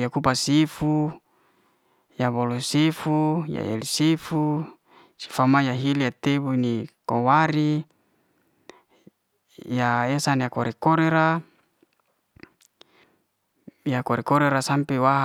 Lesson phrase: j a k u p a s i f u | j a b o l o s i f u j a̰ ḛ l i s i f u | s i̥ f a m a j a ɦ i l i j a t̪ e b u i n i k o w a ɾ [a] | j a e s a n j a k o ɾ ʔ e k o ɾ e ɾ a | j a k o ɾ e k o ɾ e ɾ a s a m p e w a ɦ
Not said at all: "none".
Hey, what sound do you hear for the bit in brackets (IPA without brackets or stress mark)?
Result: i